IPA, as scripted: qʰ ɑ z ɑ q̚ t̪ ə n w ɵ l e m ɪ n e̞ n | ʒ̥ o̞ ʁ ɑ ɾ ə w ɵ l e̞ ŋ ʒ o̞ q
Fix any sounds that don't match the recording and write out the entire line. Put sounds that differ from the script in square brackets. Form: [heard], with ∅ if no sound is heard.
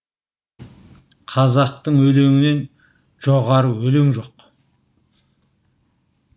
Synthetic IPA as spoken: qʰ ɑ z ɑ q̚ t̪ ə [ɴ] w ɵ l e [ŋ] ɪ n e̞ n | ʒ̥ o̞ ʁ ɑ ɾ ə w ɵ l e̞ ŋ ʒ o̞ q